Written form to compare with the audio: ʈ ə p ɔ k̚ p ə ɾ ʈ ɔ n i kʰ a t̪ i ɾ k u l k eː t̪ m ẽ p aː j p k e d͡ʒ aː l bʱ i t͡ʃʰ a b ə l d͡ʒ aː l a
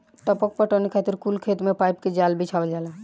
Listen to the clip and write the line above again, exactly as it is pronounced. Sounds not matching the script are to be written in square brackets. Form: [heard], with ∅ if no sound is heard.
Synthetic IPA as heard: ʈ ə p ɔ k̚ p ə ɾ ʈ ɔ n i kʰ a t̪ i ɾ k u l [kʰ] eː t̪ m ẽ p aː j p k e d͡ʒ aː l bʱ i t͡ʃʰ a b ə l d͡ʒ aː l a